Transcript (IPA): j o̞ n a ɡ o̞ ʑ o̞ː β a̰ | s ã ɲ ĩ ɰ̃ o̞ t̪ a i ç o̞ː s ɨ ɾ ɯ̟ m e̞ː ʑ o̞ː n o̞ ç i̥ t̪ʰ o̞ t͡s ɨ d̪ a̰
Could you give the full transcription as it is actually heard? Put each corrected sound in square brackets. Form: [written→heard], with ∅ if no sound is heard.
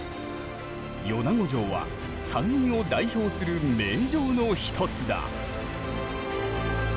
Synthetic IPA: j o̞ n a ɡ o̞ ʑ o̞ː β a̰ | s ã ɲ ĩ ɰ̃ o̞ [t̪→d̪] a i ç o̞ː s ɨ ɾ ɯ̟ m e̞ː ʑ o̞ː n o̞ ç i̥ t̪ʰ o̞ t͡s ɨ d̪ a̰